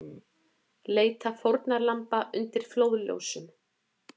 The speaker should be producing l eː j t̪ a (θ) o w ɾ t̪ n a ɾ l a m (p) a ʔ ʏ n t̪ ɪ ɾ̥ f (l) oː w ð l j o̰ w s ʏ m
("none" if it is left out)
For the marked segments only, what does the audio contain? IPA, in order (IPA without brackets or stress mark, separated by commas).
f, p, l